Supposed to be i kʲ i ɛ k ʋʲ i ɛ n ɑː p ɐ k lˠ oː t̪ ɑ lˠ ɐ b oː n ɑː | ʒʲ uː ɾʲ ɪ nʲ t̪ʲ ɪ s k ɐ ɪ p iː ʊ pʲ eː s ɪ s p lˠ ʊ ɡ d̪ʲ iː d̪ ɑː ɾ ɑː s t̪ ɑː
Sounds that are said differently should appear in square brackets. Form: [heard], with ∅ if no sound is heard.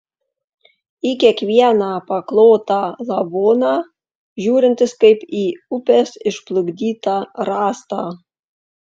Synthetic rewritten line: i kʲ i ɛ k ʋʲ i ɛ n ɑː p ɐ k lˠ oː t̪ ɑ lˠ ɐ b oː n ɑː | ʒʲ uː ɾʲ ɪ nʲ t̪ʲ ɪ s k ɐ ɪ p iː ʊ pʲ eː s ɪ [ʃ] p lˠ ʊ ɡ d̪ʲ iː [t̪] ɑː ɾ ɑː s t̪ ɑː